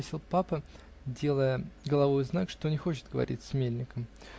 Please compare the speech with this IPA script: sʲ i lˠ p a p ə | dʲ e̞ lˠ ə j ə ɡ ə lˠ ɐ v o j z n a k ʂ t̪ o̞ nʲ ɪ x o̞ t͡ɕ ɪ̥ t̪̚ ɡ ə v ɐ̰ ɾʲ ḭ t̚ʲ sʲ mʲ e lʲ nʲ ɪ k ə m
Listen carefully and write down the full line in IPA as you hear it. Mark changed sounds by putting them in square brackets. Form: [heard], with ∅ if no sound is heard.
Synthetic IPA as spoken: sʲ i lˠ p a p ə | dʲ e̞ lˠ ə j ə ɡ ə lˠ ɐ v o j z n a k ʂ t̪ o̞ nʲ ɪ x o̞ t͡ɕ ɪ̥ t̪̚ ɡ ə v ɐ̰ ɾʲ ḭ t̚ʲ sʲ mʲ e lʲ nʲ ɪ k ə m

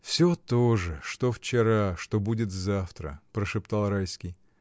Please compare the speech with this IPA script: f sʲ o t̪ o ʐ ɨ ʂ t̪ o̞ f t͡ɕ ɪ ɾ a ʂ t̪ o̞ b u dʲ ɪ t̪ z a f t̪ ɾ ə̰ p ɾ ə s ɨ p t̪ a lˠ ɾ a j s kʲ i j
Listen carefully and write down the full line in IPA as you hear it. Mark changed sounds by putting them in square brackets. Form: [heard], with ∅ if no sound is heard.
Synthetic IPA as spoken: f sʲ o t̪ o ʐ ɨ ʂ t̪ o̞ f t͡ɕ ɪ ɾ a ʂ t̪ o̞ b u dʲ ɪ t̪ z a f t̪ ɾ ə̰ p ɾ ə [ʂ] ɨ p t̪ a lˠ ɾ a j s kʲ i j

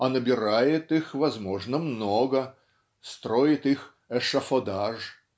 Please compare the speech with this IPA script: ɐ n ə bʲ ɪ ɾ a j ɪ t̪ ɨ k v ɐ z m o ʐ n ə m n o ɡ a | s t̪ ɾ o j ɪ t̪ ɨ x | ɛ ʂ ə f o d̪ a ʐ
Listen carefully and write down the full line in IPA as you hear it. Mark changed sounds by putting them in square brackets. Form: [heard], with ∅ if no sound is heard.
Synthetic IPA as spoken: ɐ n ə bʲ ɪ ɾ a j ɪ t̪ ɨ [x] v ɐ z m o ʐ n ə m n o ɡ [ə] | s t̪ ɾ o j ɪ t̪ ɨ x | ɛ ʂ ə f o d̪ a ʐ

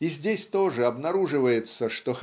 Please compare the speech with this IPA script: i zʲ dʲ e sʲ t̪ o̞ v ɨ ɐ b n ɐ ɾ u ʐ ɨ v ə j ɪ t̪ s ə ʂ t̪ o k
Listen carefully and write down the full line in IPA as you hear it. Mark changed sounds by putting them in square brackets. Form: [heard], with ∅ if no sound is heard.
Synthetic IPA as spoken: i zʲ dʲ e sʲ t̪ o̞ [ʐ] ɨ ɐ b n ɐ ɾ u ʐ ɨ v ə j ɪ t̪ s ə ʂ t̪ o [x]

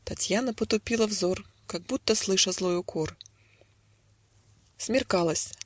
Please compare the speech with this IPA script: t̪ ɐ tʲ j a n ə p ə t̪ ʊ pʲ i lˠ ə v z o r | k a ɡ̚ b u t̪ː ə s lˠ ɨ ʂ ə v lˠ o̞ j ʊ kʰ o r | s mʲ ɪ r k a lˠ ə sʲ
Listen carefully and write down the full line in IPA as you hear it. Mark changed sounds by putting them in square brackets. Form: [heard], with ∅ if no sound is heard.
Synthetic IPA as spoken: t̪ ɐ tʲ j a n ə p ə t̪ ʊ pʲ i lˠ ə v z o r | k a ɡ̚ b u t̪ː ə s lˠ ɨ ʂ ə [z] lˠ o̞ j ʊ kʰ o r | s mʲ ɪ r k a lˠ ə sʲ

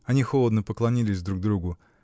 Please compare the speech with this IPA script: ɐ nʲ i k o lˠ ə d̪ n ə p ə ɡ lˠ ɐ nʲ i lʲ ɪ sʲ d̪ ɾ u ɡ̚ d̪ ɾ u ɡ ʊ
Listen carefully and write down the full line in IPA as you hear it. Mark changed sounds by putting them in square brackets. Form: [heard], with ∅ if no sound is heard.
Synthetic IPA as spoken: ɐ nʲ i [x] o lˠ ə d̪ n ə p ə [k] lˠ ɐ nʲ i lʲ ɪ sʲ d̪ ɾ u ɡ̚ d̪ ɾ u ɡ ʊ

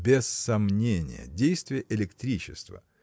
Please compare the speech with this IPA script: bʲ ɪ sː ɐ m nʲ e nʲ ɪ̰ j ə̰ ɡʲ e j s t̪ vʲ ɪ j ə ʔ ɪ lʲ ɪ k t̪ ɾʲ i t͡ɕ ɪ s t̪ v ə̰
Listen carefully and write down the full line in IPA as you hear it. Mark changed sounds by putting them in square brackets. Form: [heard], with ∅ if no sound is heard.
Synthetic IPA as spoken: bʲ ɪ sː ɐ m nʲ e nʲ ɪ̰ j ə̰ [dʲ] e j s t̪ vʲ ɪ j ə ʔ ɪ lʲ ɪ k t̪ ɾʲ i t͡ɕ ɪ s t̪ v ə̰

